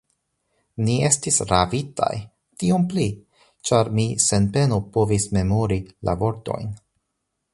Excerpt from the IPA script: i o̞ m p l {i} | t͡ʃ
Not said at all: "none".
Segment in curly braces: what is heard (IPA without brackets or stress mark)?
i